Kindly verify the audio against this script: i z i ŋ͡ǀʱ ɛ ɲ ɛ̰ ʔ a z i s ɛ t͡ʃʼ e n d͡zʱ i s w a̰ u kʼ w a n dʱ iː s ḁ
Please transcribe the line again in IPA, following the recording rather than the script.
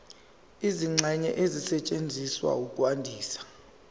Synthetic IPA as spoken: i z i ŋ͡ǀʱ ɛ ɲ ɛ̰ ʔ e z i s ɛ t͡ʃʼ e n d͡zʱ i s w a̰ u kʼ w a n dʱ iː s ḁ